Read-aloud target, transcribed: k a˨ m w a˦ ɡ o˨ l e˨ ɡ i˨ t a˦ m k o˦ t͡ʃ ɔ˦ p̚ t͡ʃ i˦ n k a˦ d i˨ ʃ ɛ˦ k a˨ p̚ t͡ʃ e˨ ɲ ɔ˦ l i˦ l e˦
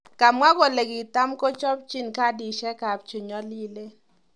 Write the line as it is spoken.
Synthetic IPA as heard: k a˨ m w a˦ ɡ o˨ l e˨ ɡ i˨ t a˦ m k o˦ t͡ʃ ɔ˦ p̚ t͡ʃ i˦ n k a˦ d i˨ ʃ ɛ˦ k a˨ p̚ t͡ʃ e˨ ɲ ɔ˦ l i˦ l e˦